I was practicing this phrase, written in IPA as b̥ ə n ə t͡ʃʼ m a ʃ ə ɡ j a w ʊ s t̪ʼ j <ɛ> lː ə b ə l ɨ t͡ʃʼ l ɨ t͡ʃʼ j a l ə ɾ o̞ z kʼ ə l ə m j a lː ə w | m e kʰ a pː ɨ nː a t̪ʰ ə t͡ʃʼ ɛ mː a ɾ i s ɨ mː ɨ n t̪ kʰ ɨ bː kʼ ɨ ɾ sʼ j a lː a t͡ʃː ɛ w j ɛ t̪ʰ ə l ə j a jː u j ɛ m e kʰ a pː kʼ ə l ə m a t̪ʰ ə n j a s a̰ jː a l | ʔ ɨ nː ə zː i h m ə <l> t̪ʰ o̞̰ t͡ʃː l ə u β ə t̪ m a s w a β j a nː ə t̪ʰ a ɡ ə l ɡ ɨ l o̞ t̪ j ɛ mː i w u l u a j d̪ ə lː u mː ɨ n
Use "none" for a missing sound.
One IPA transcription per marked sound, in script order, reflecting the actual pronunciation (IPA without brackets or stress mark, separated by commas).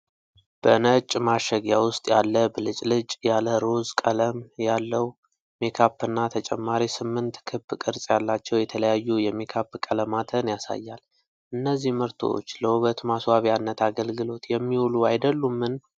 a, ɾ